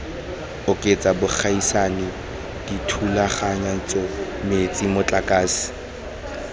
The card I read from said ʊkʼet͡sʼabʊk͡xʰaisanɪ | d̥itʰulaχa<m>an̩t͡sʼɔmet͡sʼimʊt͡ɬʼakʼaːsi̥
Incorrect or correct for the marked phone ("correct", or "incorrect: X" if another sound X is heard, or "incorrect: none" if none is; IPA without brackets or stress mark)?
incorrect: ɲ